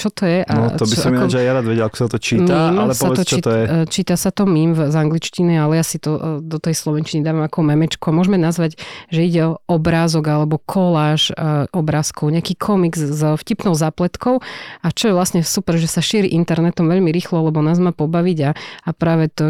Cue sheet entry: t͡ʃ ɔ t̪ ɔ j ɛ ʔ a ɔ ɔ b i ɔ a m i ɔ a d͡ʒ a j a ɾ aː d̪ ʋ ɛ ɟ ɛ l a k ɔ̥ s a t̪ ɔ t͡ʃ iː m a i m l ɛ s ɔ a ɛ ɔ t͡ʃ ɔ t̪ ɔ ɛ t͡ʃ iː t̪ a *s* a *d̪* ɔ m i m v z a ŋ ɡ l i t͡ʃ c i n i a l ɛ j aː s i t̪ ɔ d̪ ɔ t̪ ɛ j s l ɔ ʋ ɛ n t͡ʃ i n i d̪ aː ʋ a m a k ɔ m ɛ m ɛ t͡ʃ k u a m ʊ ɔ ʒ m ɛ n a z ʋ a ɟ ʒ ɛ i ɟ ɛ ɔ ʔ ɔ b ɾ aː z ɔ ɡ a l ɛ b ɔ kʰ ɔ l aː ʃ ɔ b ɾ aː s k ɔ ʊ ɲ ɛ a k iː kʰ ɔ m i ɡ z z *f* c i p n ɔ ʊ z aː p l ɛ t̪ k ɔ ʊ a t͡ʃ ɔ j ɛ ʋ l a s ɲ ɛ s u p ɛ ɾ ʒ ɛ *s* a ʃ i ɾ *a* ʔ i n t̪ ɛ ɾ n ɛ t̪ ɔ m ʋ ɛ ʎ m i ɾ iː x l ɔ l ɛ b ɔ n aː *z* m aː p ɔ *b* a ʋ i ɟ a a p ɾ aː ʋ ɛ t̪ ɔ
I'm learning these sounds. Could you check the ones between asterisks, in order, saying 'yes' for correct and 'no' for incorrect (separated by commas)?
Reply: yes, no, yes, yes, no, yes, yes